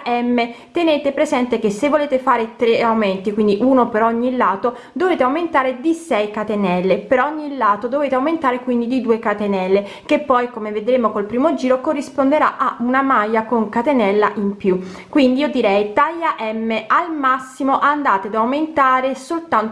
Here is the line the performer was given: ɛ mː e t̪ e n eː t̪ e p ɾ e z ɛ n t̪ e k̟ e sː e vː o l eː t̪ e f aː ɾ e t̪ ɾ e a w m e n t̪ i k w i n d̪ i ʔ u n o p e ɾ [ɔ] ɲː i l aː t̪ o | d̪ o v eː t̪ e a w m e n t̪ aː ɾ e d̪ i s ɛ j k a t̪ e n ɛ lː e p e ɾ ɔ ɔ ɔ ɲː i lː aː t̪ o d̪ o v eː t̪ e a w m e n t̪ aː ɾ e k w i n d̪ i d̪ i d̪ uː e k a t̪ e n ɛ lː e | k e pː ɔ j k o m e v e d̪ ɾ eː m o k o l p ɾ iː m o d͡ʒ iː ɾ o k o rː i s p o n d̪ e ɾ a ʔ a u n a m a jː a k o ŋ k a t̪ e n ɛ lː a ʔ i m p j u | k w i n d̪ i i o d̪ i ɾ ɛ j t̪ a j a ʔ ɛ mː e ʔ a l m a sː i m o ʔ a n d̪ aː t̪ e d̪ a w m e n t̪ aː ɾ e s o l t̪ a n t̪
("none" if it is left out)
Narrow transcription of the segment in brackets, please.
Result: ɔ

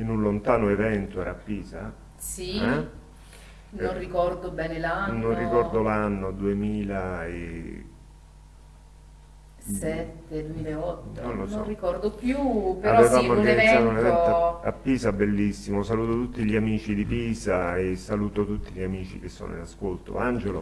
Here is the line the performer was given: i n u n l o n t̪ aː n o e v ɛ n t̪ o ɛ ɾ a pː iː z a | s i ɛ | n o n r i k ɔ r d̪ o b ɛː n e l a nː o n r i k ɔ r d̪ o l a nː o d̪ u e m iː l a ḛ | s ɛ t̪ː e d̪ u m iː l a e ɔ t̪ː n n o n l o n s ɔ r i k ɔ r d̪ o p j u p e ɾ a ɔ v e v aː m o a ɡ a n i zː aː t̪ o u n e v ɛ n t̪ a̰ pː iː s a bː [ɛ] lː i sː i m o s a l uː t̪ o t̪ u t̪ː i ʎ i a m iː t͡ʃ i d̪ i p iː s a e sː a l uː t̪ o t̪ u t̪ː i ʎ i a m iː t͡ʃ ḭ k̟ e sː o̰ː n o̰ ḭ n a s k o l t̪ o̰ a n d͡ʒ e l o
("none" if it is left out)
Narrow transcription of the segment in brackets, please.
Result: e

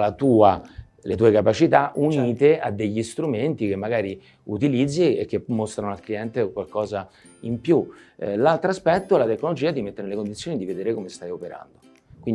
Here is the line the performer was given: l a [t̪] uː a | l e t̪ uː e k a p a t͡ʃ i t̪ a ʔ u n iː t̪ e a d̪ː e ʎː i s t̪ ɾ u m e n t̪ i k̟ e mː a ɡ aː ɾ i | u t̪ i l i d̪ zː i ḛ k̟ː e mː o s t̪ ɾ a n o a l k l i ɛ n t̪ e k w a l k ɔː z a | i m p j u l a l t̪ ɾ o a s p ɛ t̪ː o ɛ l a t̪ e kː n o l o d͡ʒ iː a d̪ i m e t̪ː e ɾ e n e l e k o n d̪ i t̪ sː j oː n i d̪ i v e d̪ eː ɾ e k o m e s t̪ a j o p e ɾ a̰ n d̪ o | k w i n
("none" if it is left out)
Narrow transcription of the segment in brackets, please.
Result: t̪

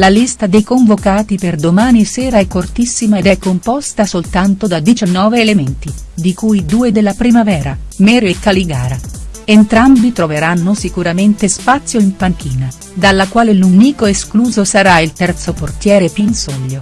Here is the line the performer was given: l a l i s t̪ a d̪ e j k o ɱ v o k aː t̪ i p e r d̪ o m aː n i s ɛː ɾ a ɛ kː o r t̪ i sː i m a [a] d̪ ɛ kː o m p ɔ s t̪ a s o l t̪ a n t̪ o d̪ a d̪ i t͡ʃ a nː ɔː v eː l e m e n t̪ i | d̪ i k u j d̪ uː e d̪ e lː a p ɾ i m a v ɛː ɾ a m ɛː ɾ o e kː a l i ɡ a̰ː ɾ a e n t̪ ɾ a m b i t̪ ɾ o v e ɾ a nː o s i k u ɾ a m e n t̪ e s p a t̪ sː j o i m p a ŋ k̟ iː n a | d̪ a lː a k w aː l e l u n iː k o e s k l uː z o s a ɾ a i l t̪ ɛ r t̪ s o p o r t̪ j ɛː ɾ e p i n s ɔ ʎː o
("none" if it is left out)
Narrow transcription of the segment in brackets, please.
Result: e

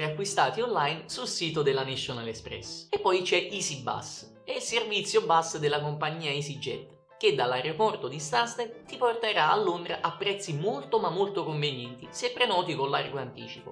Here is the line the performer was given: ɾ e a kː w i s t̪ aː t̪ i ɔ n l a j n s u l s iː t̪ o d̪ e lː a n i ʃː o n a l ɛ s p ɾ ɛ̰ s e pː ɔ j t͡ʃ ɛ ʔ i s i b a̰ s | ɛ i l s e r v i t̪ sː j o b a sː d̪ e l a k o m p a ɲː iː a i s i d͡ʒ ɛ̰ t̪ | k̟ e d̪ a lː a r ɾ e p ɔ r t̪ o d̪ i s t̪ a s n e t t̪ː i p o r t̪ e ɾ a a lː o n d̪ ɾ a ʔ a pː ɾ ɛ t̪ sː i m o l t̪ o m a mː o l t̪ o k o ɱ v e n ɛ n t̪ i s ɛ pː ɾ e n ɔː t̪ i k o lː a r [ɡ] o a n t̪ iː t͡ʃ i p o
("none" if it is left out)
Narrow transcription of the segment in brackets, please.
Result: ɡ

